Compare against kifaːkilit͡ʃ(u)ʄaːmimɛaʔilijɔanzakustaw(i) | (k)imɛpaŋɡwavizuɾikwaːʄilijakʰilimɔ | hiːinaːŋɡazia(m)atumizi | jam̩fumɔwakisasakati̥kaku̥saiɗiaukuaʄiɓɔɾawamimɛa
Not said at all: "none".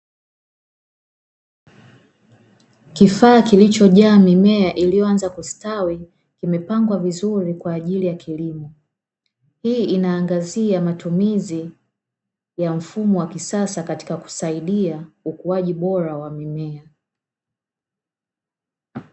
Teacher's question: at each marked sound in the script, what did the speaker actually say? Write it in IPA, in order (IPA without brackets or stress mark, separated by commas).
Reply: ɔ, i, k, m